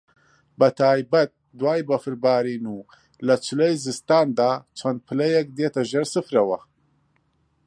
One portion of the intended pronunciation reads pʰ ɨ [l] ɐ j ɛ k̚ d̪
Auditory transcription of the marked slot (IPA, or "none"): l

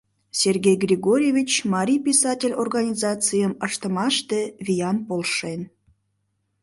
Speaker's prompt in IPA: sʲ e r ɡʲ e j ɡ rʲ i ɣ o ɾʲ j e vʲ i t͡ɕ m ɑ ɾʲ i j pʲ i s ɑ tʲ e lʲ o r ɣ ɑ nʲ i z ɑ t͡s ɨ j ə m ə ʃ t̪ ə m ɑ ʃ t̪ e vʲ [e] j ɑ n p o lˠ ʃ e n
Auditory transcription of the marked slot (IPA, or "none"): i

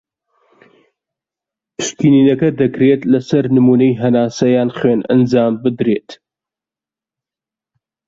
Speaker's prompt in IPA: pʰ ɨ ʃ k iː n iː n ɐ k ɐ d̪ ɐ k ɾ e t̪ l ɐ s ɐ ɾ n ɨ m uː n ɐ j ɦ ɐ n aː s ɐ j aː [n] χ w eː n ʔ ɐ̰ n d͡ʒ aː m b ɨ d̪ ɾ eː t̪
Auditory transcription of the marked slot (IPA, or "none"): n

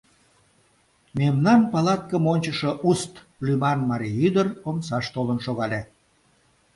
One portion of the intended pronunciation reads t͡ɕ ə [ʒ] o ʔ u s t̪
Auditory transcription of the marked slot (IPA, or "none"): ʃ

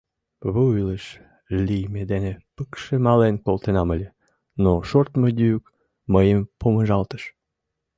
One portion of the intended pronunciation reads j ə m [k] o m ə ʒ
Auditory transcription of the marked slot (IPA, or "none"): p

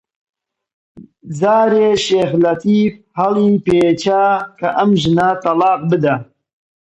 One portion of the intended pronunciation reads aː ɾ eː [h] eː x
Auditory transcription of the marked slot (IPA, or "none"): ʃ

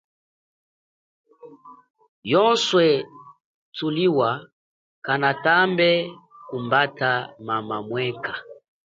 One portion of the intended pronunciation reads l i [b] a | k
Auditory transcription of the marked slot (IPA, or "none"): w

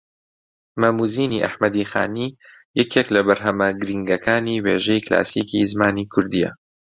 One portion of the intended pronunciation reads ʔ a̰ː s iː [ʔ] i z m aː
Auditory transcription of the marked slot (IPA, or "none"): k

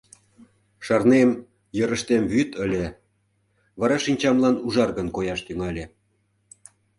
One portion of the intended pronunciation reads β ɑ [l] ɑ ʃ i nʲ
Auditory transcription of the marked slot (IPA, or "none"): ɾ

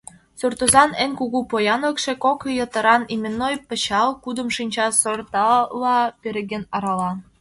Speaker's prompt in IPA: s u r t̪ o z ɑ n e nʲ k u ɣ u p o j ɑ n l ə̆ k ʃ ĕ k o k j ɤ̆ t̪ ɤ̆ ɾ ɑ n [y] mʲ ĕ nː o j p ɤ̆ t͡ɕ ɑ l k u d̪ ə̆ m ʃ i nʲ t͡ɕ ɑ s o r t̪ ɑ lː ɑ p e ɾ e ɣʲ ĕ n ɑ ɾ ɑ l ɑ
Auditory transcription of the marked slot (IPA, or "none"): i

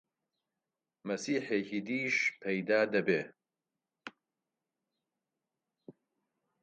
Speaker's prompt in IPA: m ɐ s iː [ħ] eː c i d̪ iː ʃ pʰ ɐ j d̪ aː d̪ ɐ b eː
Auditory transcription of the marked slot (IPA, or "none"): ħ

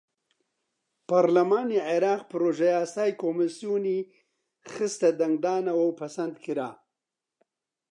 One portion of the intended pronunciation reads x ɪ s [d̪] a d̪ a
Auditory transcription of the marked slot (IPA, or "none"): t̪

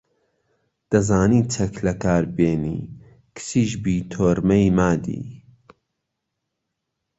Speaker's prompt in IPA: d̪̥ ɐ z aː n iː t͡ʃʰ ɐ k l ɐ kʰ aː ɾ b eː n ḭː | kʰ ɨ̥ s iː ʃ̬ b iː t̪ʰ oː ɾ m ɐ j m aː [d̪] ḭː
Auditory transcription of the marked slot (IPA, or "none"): d̪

